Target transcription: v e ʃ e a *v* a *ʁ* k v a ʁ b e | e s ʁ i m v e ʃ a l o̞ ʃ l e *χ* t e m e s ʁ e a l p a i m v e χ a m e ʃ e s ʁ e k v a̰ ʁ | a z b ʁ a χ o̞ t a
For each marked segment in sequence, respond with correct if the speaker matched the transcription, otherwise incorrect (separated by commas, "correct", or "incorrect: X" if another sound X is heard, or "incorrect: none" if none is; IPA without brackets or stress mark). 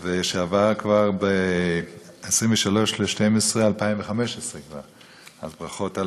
correct, correct, incorrect: ʃ